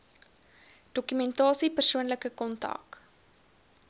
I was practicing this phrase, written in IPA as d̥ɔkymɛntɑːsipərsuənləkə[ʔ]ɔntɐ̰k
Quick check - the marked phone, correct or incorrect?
incorrect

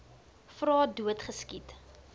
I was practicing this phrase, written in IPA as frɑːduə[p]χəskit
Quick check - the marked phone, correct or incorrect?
incorrect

